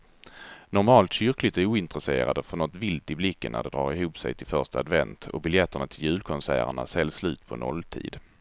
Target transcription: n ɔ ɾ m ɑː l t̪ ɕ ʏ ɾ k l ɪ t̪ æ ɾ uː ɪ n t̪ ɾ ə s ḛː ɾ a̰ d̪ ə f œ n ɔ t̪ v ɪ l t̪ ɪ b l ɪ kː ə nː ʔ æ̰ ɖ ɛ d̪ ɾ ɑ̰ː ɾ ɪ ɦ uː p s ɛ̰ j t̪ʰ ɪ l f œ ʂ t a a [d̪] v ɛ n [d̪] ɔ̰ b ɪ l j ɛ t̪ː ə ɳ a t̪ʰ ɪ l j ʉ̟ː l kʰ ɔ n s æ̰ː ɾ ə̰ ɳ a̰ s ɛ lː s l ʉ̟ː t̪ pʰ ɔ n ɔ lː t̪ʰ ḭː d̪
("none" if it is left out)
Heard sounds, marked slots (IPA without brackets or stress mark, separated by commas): d̪, t̪